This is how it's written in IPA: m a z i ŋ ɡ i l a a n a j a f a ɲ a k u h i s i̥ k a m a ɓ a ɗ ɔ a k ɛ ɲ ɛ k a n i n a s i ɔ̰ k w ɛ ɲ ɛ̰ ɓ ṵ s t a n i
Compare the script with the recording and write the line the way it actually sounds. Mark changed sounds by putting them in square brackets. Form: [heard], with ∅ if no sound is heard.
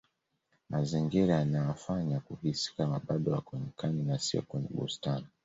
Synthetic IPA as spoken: m a z i ŋ ɡ i [ɾ] a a n a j a f a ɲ a k u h i s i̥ k a m a ɓ a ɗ ɔ a k ɛ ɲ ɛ k a n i n a s i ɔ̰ k w ɛ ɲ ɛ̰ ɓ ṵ s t a n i